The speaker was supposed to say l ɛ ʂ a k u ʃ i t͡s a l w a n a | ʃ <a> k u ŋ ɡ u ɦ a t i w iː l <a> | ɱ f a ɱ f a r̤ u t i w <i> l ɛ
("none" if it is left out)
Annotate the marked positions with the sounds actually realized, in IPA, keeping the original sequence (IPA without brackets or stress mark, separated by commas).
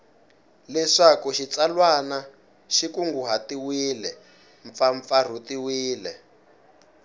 i, ɛ, iː